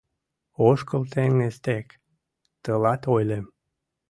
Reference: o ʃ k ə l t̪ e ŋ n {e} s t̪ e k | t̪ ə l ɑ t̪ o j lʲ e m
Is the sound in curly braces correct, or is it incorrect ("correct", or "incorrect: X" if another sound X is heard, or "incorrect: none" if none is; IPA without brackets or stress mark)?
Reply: correct